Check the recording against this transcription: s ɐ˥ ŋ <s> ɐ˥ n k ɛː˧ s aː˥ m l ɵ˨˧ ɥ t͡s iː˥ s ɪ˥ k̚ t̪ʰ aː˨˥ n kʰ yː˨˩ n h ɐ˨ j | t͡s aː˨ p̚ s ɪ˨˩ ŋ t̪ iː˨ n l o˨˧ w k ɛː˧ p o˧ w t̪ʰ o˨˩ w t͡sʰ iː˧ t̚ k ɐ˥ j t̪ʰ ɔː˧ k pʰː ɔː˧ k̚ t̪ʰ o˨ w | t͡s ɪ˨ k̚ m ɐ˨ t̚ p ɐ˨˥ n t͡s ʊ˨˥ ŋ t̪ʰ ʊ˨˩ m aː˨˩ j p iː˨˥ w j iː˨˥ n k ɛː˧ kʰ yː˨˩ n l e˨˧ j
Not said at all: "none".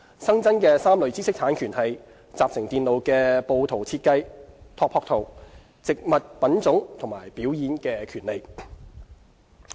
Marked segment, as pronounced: t͡s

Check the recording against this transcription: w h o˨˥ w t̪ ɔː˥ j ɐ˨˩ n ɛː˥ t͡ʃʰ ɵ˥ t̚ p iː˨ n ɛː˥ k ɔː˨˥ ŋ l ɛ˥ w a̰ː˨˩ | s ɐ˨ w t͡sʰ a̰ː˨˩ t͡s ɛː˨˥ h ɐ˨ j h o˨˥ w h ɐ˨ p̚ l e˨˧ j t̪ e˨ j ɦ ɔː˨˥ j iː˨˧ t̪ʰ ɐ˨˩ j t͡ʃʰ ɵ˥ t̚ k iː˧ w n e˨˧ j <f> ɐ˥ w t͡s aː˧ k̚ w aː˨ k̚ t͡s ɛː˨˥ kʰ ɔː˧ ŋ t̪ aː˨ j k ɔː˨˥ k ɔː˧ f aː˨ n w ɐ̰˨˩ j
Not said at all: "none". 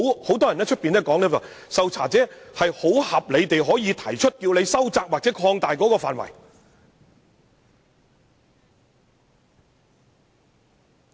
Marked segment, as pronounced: s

